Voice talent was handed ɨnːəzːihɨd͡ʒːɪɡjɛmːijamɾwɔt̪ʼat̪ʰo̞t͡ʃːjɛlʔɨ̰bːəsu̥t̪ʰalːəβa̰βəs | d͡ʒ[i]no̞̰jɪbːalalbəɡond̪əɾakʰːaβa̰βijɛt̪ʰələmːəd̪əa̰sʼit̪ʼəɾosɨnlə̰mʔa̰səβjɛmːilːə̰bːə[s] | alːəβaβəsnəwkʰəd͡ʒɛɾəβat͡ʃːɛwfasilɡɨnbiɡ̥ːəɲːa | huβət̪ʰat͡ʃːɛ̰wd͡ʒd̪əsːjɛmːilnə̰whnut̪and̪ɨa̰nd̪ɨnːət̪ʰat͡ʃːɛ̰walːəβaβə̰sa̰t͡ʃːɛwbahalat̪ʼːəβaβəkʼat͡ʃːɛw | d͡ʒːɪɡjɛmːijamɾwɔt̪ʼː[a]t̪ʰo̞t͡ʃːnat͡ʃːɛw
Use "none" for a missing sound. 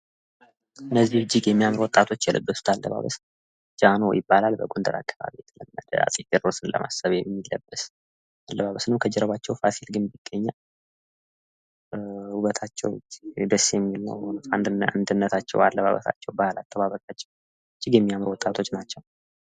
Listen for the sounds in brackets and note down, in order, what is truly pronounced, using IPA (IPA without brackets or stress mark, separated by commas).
a, s, a